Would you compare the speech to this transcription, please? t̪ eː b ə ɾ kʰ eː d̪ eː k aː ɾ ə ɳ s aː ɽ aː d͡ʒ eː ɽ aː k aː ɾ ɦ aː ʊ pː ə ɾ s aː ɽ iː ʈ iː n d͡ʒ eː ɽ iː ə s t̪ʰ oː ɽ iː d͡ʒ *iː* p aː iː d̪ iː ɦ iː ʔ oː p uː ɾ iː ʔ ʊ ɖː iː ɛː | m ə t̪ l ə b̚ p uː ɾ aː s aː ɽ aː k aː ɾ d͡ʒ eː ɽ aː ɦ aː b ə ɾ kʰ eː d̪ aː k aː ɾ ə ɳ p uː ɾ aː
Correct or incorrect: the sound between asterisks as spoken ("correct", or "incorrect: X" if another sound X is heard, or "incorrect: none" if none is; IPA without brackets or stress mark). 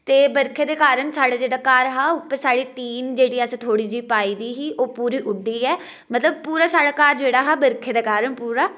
correct